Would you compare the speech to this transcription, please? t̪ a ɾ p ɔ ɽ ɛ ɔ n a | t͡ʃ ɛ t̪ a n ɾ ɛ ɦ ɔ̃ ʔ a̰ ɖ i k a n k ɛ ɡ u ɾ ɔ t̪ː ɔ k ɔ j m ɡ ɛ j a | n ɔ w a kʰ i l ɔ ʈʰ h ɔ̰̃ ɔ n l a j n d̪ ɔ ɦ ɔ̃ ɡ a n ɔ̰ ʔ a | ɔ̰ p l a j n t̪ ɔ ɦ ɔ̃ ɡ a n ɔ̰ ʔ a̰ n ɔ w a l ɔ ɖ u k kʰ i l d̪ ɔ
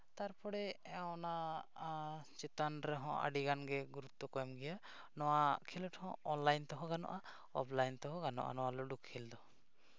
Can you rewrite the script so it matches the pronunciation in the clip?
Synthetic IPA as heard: t̪ a ɾ p ɔ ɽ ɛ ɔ n a | t͡ʃ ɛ t̪ a n ɾ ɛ ɦ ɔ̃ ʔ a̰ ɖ i ɡ a n ɡ ɛ ɡ u ɾ u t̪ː ɔ k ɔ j m ɡ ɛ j a | n ɔ w a kʰ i l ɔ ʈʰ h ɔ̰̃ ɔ n l a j n t̪ ɔ ɦ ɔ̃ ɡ a n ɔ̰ ʔ a | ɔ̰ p l a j n t̪ ɔ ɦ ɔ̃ ɡ a n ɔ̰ ʔ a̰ n ɔ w a l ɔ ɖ u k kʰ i l d̪ ɔ